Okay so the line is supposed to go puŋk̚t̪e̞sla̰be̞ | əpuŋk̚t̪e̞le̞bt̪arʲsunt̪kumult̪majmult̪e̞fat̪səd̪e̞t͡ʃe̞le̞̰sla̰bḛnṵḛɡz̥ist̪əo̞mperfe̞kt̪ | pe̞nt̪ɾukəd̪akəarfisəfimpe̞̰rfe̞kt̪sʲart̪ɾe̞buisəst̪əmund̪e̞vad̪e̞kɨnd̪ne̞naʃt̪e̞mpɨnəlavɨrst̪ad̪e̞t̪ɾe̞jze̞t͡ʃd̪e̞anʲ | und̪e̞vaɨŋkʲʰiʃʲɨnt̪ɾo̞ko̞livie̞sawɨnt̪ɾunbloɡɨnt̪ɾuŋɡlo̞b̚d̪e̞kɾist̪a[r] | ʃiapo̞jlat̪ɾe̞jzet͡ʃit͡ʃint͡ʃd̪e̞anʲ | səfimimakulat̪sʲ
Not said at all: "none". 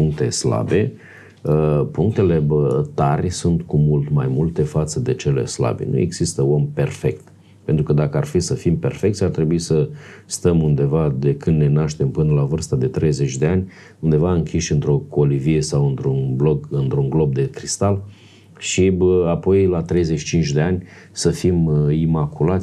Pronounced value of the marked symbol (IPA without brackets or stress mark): l